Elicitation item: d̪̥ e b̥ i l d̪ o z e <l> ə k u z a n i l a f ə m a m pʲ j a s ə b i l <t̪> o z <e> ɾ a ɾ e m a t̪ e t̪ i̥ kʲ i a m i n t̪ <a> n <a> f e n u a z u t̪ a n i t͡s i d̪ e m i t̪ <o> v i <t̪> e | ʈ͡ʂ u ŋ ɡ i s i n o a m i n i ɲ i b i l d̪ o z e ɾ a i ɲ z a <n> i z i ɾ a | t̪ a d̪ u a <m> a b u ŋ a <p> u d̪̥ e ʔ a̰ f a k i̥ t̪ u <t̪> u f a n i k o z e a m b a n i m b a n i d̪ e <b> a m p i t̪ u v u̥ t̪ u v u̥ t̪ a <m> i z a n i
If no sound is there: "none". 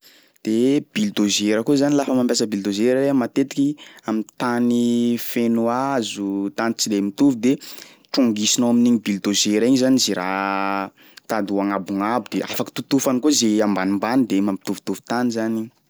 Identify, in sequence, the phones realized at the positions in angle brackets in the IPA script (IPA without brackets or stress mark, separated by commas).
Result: ɾ, d̪, e, a, i, u, d̪, n, ŋ, b, t̪, m, n